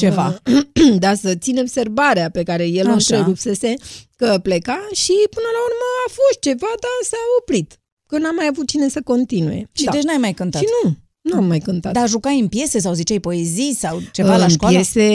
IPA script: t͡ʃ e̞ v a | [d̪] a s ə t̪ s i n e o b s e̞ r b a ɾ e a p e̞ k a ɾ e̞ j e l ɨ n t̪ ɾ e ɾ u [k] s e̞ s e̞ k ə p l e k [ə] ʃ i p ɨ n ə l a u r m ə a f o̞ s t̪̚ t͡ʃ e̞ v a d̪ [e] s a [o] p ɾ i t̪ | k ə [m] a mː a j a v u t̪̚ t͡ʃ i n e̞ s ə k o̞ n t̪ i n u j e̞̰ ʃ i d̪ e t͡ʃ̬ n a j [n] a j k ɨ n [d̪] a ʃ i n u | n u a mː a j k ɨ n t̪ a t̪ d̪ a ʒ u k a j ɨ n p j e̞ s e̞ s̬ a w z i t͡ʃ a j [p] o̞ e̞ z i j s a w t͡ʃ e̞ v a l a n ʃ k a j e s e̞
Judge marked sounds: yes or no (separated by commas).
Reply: yes, no, no, no, yes, no, no, no, yes